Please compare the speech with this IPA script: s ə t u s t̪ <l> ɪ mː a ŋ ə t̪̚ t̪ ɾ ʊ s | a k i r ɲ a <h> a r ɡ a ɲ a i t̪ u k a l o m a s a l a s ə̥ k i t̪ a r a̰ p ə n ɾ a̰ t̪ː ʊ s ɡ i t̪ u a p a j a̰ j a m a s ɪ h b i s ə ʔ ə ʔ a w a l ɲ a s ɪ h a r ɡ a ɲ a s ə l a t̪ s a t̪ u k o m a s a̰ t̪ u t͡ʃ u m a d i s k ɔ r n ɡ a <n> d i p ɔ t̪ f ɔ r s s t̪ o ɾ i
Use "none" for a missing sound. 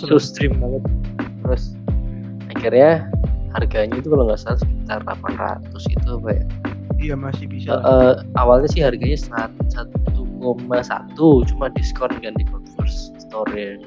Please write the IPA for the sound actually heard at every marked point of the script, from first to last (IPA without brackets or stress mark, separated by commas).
ɾ, h, n